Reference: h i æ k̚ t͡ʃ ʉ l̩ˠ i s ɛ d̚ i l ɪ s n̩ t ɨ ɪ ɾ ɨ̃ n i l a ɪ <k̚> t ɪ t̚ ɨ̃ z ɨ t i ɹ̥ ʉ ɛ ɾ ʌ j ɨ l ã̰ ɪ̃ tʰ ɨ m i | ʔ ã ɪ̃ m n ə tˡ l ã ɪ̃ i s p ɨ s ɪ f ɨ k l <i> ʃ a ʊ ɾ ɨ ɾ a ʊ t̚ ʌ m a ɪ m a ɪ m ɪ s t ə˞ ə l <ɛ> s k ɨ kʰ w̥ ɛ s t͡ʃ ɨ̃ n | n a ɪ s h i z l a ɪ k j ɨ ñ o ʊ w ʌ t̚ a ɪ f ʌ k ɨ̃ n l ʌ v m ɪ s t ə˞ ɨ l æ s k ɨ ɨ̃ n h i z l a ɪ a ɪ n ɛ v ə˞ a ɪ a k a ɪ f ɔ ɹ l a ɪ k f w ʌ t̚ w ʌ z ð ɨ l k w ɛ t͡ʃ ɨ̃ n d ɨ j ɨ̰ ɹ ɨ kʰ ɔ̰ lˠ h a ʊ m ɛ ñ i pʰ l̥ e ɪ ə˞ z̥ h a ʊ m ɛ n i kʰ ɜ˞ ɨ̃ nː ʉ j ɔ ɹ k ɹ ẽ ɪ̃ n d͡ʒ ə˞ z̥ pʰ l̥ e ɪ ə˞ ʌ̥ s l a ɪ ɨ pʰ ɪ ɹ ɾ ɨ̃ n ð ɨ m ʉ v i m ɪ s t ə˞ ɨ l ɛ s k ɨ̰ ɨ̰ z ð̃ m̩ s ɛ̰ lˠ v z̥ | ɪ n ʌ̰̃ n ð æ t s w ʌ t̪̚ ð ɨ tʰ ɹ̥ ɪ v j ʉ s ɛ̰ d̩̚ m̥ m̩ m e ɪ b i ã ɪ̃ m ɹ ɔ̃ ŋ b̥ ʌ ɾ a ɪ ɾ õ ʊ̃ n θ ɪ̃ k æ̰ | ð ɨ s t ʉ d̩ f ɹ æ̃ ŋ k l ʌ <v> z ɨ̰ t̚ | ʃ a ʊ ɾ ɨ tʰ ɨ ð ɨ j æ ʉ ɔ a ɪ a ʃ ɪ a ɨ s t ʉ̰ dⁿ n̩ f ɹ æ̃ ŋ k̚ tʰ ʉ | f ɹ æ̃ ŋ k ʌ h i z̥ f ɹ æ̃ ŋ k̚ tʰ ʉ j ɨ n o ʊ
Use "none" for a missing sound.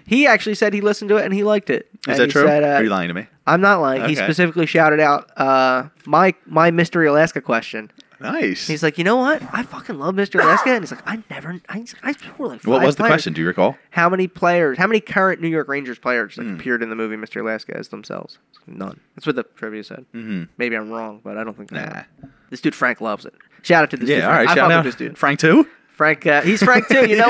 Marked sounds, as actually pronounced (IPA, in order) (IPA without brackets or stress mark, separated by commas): k̚, i, æ, v